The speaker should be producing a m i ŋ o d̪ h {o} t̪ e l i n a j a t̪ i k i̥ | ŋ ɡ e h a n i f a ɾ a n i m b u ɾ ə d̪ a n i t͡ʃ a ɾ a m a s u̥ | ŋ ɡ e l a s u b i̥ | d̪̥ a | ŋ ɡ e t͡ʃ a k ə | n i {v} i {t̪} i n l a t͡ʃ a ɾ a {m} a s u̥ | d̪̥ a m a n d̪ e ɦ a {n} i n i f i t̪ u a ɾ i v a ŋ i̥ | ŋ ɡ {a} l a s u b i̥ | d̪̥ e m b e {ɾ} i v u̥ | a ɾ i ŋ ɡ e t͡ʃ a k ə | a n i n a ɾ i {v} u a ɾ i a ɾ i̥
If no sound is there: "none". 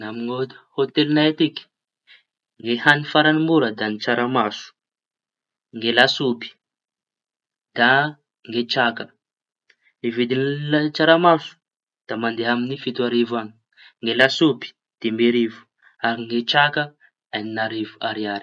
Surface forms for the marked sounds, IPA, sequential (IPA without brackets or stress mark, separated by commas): o, v, d̪, m, m, e, ɾ, v